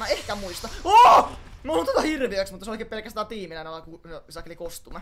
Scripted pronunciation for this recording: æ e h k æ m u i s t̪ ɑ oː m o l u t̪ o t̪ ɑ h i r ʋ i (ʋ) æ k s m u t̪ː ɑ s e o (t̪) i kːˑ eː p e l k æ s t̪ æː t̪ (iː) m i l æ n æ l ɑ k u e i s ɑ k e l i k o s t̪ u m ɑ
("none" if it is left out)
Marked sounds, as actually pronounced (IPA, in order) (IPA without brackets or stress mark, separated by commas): none, none, iː